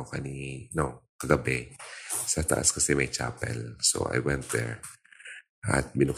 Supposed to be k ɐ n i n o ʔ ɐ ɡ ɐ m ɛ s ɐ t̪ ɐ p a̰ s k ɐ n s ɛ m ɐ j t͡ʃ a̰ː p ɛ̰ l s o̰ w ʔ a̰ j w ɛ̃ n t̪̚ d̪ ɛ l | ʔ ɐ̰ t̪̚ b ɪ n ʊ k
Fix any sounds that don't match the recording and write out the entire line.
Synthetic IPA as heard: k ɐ n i n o k ɐ ɡ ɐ b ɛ s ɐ t̪ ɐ ʔ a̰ s k ɐ s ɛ m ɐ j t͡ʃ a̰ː p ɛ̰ l s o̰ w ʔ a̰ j w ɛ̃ n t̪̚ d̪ ɛ ɹ | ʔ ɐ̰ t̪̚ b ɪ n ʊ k